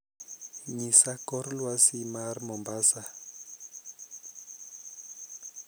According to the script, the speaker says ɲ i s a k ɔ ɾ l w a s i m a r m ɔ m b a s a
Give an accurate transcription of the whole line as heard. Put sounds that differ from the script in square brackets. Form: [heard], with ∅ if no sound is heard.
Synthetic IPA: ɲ i s a k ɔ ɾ l w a s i m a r m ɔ m b a s a